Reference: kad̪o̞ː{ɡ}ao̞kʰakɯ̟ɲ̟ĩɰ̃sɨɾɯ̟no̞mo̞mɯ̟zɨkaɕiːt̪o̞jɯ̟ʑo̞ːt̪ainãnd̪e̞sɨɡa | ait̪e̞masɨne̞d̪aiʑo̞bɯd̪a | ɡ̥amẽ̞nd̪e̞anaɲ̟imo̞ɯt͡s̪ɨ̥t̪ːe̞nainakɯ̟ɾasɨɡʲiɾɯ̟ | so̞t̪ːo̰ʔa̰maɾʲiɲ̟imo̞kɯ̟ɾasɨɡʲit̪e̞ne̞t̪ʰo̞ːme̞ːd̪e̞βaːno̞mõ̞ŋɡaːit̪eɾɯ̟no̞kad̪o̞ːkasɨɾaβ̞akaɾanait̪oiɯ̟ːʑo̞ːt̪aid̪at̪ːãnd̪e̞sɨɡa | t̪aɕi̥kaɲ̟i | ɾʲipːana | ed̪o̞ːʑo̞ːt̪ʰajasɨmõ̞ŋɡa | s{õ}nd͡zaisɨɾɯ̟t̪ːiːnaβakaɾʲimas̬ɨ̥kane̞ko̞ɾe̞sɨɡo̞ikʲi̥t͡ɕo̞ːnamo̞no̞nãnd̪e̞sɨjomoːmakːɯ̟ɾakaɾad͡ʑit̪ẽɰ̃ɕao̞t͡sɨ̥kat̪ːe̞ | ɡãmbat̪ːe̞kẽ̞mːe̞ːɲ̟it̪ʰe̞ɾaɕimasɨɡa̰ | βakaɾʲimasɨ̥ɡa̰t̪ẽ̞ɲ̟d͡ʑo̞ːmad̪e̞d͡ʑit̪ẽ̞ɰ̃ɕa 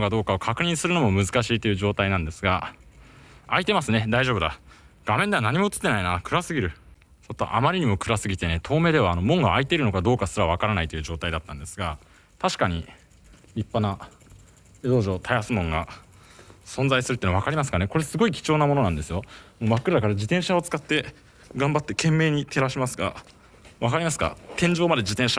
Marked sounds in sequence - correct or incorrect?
incorrect: k, correct

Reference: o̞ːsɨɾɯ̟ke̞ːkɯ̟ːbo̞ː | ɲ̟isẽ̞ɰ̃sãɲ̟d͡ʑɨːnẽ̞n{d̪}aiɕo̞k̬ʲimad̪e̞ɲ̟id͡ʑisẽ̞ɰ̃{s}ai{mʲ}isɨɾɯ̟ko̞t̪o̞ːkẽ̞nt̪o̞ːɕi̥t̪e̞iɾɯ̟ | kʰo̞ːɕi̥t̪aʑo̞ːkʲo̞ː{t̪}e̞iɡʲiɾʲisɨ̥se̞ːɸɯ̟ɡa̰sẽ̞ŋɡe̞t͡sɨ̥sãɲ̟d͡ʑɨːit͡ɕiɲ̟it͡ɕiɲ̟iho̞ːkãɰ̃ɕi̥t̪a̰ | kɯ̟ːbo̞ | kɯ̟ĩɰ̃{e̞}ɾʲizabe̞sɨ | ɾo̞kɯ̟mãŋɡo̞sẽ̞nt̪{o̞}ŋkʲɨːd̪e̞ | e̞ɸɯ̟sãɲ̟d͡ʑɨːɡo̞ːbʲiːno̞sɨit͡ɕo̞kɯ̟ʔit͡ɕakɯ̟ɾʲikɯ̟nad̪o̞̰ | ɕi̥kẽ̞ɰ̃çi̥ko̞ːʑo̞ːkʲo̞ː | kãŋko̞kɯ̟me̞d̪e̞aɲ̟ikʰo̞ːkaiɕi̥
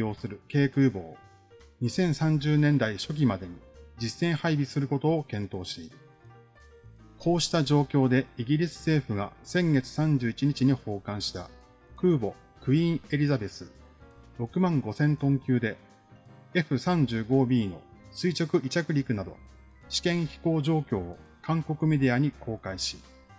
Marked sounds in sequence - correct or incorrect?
correct, incorrect: h, incorrect: bʲ, incorrect: d̪, correct, incorrect: õ̞

